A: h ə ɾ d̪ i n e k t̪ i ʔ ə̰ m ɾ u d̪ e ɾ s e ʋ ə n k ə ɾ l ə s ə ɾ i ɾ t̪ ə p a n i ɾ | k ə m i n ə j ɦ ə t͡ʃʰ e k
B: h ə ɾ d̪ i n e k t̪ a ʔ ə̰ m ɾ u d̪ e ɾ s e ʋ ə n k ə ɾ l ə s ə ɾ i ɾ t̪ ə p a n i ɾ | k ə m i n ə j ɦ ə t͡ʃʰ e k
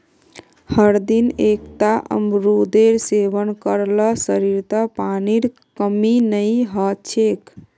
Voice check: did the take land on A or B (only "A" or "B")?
B